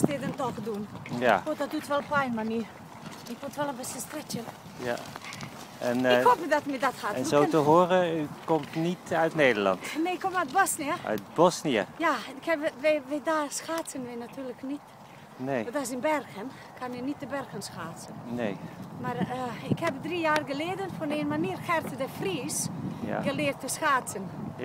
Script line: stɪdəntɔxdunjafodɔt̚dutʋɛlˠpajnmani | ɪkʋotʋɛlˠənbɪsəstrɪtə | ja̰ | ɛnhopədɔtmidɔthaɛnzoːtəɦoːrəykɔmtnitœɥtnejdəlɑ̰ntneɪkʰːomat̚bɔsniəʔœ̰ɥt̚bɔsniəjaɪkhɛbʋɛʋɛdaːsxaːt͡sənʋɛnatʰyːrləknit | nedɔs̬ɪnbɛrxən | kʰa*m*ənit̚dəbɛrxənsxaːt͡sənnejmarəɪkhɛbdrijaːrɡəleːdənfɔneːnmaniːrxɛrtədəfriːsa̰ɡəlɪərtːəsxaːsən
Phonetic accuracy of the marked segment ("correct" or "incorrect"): incorrect